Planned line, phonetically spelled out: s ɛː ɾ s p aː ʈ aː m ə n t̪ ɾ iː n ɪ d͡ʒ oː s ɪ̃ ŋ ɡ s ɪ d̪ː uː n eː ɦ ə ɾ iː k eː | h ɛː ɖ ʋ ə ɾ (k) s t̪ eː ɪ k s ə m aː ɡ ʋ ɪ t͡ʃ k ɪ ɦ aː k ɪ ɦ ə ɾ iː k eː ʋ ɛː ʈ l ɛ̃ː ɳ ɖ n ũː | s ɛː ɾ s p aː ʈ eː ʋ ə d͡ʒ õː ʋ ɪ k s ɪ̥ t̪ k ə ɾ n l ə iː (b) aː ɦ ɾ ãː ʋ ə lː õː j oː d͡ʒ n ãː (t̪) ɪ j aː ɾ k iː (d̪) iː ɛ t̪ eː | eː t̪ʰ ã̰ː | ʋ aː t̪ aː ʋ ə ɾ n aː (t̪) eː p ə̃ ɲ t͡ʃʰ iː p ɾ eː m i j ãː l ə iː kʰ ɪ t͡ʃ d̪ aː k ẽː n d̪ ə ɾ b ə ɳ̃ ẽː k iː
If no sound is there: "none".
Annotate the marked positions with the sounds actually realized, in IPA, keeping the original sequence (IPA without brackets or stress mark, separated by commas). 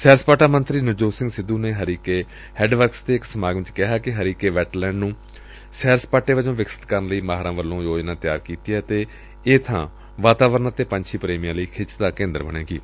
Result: k, m, t̪, t̪, t̪